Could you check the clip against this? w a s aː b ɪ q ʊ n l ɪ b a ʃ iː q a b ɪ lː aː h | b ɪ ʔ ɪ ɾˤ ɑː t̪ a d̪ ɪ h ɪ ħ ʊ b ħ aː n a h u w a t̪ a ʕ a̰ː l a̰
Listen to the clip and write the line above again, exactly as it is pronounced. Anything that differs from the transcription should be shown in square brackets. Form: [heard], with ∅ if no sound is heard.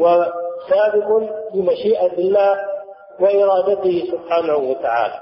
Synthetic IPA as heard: w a s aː b ɪ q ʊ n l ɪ [m] a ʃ iː [ʔ] a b ɪ lː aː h | [w] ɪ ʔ ɪ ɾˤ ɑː [d̪] a [t̪] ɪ h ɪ [s] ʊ b ħ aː n a h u w a t̪ a ʕ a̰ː l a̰